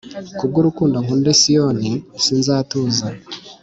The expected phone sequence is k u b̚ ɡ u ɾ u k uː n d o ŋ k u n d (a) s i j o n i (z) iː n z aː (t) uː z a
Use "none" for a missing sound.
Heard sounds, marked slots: e, s, t

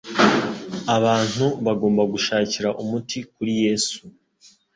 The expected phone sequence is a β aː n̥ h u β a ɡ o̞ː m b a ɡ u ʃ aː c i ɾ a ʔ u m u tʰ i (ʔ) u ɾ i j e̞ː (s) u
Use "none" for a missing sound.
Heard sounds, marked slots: k, s

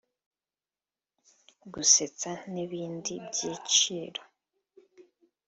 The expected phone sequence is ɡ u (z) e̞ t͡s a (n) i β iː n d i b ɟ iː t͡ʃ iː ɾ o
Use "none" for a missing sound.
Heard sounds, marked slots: s, n

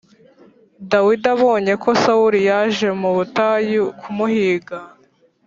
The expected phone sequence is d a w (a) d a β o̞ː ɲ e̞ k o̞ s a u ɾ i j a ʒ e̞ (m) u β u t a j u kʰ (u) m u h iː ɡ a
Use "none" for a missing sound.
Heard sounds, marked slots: i, m, u

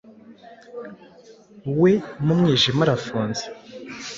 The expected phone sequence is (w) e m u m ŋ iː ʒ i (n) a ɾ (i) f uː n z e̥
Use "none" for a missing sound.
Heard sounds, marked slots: w, m, a

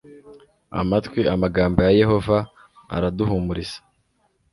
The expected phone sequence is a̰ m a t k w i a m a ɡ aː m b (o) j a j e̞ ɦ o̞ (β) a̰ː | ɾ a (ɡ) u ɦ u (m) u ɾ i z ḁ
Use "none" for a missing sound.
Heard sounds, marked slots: o, v, d, m

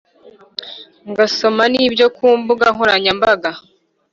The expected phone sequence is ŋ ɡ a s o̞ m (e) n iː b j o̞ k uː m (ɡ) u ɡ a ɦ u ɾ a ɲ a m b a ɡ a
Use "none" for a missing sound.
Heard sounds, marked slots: a, b

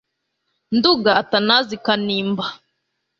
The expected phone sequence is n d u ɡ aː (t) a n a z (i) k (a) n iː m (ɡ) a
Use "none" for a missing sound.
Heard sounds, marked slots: t, i, a, b

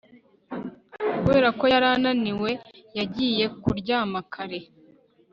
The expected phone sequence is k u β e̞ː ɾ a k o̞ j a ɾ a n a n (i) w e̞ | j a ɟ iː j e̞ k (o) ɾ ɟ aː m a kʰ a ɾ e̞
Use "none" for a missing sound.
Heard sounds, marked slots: i, u

